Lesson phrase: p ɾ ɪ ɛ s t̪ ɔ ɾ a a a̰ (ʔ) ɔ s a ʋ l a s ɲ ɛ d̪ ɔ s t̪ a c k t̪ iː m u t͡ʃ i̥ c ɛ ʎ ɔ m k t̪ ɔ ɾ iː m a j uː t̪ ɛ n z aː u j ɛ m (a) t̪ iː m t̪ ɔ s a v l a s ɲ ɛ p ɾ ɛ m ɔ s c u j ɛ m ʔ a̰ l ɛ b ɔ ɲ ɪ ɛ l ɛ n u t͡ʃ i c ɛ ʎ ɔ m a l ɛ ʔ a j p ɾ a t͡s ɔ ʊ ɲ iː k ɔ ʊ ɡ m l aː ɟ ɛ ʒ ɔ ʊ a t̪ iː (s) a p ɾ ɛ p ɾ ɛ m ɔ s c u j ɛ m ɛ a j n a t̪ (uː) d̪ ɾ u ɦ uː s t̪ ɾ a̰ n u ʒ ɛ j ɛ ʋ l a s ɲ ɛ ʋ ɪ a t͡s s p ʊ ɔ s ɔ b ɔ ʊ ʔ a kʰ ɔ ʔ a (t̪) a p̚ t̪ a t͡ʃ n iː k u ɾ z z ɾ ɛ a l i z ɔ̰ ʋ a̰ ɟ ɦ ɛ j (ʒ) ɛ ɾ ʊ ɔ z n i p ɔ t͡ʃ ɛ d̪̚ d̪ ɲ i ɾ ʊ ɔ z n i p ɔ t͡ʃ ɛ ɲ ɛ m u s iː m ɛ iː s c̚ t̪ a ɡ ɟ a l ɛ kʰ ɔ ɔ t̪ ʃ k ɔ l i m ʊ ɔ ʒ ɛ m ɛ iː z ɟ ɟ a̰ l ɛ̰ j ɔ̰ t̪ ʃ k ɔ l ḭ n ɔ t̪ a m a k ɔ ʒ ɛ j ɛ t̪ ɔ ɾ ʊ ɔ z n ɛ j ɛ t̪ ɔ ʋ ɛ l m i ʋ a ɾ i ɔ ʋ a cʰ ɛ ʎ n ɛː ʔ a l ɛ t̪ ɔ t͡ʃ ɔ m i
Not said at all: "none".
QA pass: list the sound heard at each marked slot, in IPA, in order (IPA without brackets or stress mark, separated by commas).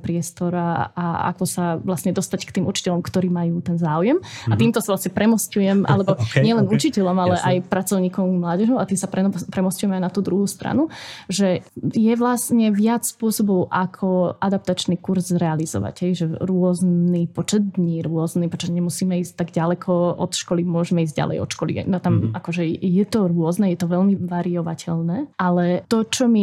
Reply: k, a, s, uː, d̪, ʒ